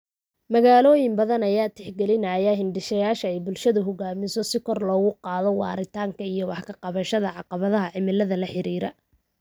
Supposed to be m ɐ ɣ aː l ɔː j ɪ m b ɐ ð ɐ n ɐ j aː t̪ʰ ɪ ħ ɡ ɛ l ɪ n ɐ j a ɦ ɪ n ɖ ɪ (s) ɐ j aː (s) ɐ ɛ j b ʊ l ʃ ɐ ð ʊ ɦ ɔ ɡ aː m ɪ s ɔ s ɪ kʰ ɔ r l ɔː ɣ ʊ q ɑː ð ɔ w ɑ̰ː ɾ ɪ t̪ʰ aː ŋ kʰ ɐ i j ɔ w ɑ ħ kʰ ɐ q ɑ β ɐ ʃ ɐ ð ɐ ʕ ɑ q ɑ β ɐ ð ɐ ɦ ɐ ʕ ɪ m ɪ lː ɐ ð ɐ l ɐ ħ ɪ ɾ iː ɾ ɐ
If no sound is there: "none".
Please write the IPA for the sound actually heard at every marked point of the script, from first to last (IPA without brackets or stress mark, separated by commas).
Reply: ʃ, ʃ